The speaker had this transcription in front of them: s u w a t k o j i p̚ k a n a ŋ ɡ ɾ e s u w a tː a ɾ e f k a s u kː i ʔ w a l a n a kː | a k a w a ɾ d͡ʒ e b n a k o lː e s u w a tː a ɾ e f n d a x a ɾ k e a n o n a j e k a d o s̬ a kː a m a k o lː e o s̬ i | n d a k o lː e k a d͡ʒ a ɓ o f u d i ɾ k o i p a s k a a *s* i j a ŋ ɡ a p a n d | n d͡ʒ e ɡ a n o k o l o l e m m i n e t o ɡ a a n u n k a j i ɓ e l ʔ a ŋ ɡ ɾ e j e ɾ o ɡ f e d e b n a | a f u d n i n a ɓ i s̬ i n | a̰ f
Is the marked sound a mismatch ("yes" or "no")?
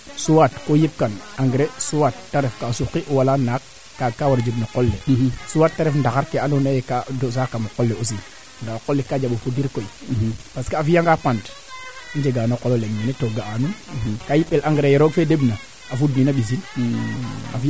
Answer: yes